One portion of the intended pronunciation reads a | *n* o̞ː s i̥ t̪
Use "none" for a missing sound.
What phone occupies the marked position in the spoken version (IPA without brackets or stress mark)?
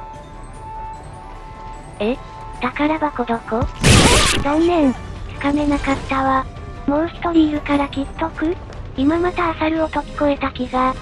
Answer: m